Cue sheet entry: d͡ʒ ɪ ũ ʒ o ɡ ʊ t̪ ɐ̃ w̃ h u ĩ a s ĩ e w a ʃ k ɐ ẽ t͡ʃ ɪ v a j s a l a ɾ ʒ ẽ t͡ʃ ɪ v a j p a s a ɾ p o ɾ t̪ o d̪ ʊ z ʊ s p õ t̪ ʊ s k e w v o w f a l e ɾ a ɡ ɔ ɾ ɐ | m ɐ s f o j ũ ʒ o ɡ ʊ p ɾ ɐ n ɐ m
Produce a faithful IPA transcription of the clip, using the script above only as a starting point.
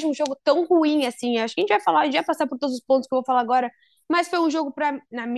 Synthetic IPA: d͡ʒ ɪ ũ ʒ o ɡ ʊ t̪ ɐ̃ w̃ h u ĩ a s ĩ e w a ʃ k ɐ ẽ t͡ʃ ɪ v a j f a l a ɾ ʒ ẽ t͡ʃ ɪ v a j p a s a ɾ p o ɾ t̪ o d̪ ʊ z ʊ s p õ t̪ ʊ s k e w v o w f a l a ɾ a ɡ ɔ ɾ ɐ | m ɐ s f o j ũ ʒ o ɡ ʊ p ɾ ɐ n ɐ m